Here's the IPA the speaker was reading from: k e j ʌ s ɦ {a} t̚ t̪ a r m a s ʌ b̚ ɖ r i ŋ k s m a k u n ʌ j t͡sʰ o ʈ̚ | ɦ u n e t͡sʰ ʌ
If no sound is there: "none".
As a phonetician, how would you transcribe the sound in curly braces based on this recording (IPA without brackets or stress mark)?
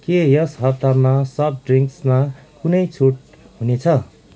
ʌ